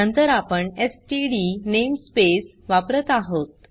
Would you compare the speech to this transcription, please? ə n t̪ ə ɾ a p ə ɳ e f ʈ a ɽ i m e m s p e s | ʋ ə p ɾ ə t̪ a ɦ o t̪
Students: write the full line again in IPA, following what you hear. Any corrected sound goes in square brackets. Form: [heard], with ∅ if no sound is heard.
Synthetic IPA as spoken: ə n t̪ ə ɾ a p ə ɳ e [s] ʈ [i] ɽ i [n] e m s p e s | ʋ [a] p ɾ ə t̪ a ɦ o t̪